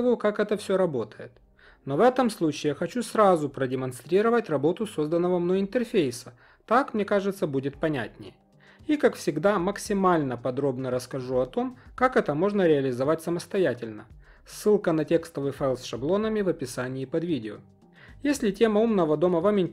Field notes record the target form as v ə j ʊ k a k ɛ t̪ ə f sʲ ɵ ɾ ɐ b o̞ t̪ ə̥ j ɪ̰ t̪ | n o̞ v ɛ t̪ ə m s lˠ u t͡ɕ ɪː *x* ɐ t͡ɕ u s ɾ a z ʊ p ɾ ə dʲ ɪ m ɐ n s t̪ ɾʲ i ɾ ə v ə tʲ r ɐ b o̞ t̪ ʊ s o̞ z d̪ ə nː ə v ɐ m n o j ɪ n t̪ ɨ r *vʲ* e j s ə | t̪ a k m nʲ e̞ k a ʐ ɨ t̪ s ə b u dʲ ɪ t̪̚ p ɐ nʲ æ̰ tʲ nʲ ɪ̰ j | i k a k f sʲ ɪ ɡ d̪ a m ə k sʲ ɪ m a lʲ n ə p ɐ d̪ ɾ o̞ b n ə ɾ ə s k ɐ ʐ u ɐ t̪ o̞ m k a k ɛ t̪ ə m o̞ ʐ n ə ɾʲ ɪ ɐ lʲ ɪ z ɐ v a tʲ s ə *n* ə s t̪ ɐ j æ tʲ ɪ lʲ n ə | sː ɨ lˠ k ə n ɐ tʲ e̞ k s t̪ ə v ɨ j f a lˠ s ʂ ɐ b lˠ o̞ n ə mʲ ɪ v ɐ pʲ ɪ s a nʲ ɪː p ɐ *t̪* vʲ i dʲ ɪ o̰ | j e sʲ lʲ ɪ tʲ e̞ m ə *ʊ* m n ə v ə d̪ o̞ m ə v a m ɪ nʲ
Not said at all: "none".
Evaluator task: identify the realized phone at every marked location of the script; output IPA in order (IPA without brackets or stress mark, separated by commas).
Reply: x, fʲ, m, d̪, u